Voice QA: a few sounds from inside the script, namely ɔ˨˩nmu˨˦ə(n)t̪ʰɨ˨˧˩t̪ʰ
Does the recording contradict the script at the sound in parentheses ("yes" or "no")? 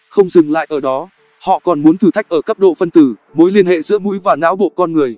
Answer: no